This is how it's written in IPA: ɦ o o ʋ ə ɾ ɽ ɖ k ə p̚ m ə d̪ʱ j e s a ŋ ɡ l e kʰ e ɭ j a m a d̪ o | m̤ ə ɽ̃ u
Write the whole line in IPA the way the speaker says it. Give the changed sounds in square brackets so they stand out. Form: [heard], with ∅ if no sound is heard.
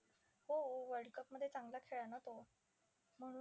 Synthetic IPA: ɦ o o ʋ ə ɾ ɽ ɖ k ə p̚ m ə d̪ʱ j e [t͡s] a ŋ ɡ l [a] kʰ e ɭ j a [n] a [t̪] o | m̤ ə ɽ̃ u